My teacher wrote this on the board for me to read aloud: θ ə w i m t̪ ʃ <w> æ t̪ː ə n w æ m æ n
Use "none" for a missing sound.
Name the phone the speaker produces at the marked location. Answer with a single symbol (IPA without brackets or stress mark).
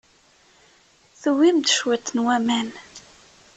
w